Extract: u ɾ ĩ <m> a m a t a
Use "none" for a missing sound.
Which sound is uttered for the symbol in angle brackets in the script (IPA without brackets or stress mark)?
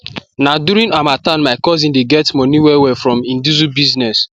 n